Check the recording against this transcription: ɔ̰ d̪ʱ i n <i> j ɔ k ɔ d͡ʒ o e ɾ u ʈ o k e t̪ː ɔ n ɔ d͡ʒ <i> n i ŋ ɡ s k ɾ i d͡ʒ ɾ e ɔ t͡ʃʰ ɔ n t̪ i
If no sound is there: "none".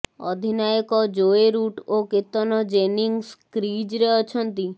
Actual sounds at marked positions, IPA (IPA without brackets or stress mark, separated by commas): a, e